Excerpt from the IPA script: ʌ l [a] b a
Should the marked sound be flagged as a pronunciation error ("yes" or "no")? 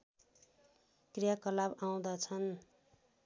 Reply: no